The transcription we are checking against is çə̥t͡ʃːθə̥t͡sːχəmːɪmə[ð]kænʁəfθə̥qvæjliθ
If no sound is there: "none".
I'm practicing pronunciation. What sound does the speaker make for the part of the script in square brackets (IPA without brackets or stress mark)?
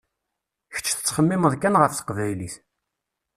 ð